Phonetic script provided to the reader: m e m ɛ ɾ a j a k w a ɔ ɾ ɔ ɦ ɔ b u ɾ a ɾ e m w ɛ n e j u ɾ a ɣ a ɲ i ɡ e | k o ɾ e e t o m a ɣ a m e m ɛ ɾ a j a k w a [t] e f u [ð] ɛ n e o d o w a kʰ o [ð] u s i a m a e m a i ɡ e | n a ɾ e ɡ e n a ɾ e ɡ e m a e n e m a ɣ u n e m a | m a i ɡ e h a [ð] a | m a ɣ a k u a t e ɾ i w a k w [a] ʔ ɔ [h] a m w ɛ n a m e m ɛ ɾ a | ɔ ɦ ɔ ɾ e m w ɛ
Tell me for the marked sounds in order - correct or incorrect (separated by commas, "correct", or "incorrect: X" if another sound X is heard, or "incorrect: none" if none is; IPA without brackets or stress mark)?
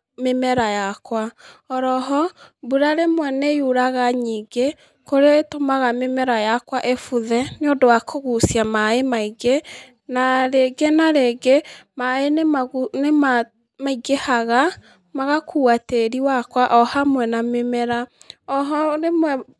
incorrect: ʔ, correct, incorrect: ɣ, incorrect: ɣ, correct, correct